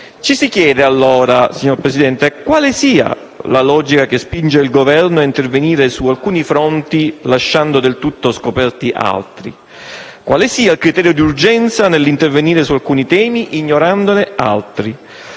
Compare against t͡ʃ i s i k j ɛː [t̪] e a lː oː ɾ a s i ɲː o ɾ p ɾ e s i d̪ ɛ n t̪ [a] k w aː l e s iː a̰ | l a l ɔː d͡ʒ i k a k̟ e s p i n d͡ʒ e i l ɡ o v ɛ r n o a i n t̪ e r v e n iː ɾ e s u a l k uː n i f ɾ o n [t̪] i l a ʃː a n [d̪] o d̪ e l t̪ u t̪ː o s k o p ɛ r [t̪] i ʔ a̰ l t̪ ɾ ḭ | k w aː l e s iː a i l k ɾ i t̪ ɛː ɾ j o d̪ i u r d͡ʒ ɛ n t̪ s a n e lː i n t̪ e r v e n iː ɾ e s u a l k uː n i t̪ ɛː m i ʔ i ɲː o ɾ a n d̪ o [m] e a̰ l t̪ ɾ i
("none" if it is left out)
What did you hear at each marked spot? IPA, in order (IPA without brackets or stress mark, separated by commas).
d̪, e, t̪, d̪, t̪, n